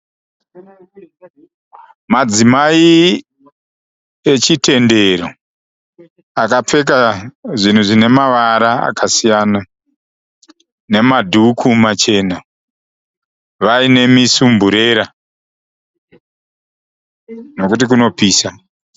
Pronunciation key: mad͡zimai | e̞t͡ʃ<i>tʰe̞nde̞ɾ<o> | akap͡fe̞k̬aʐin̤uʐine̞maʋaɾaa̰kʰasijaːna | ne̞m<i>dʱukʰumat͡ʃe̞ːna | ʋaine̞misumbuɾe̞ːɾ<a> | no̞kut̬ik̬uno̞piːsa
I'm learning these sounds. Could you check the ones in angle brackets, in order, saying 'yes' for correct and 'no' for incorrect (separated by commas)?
yes, yes, no, yes